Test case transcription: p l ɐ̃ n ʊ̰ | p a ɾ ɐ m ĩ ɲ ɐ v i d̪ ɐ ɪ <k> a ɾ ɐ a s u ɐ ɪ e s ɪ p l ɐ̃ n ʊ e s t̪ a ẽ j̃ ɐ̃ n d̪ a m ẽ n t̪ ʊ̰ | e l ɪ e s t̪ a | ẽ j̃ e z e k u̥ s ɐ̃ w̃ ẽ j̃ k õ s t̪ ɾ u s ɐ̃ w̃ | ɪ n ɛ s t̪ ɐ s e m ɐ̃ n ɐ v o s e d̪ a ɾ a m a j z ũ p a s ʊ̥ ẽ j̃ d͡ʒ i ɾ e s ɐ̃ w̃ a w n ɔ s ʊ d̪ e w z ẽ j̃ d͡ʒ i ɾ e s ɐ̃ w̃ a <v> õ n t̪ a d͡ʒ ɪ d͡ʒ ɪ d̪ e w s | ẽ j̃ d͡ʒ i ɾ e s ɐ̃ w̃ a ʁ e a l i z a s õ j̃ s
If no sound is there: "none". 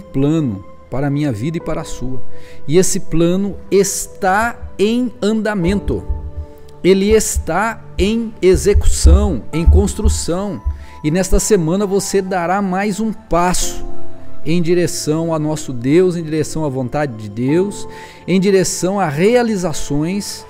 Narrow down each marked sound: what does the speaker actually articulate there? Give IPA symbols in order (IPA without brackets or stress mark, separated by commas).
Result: p, v